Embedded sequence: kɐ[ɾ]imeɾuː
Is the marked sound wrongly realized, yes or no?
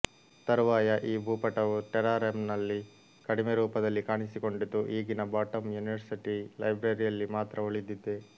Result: yes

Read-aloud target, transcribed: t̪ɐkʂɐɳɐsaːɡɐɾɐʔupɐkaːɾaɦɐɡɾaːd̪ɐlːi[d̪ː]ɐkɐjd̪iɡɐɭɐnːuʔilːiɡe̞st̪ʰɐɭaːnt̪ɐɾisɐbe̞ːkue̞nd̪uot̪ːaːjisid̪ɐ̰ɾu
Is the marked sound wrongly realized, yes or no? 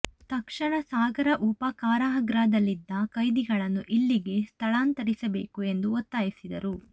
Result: no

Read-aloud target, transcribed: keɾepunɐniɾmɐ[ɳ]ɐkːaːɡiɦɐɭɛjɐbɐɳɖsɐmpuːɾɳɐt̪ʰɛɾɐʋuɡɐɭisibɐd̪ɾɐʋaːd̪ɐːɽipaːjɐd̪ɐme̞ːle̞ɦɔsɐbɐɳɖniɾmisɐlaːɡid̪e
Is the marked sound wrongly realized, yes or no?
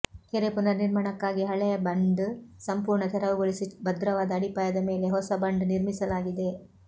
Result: no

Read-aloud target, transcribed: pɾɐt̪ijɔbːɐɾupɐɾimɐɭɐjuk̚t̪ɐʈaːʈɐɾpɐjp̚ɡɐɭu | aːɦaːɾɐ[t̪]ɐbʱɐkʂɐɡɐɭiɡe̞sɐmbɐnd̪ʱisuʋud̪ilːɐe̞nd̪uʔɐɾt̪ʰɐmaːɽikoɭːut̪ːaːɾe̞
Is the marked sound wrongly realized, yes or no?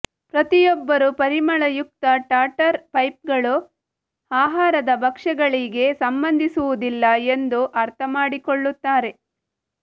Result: yes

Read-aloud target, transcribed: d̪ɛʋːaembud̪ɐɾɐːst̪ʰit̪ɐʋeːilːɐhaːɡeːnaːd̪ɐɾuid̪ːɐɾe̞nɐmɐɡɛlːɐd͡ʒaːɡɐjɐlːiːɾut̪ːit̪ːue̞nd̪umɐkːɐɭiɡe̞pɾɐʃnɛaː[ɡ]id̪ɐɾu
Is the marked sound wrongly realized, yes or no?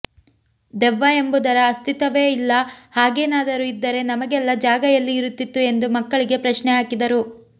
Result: yes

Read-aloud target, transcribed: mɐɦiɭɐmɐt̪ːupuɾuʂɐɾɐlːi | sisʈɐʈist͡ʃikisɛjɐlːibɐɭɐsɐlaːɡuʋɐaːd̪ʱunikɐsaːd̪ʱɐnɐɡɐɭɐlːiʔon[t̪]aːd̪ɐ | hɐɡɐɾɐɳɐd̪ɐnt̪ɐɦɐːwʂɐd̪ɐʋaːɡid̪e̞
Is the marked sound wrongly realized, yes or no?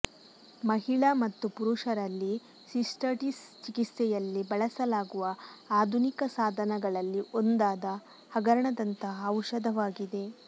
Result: yes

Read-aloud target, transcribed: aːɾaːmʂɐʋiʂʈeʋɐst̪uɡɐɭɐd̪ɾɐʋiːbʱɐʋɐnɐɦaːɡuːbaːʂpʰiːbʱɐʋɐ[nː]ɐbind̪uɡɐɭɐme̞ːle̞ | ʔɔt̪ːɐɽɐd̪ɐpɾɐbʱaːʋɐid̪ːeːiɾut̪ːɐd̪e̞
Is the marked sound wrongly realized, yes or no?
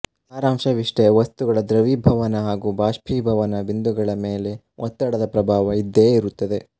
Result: yes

